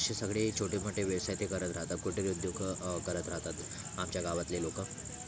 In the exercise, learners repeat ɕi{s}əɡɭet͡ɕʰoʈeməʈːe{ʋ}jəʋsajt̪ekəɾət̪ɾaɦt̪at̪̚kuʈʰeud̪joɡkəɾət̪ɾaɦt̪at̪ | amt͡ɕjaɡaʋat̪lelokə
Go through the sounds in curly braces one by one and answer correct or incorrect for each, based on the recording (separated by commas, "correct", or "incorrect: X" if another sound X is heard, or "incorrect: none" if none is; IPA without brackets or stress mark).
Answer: correct, correct